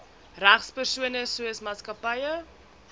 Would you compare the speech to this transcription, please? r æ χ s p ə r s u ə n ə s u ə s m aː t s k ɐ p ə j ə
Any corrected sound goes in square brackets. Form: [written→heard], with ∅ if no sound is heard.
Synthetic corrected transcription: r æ χ s p ə r s u ə n ə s u ə s m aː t s k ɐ p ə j ə